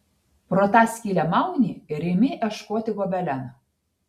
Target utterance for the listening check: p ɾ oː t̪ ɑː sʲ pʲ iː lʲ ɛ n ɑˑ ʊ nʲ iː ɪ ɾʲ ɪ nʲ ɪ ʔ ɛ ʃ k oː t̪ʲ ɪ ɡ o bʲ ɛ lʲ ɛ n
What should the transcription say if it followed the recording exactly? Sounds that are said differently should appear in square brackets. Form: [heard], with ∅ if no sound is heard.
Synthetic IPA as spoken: p ɾ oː t̪ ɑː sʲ [kʲ] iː lʲ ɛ [m] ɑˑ ʊ nʲ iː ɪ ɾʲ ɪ [mʲ] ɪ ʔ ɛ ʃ k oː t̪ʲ ɪ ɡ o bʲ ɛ lʲ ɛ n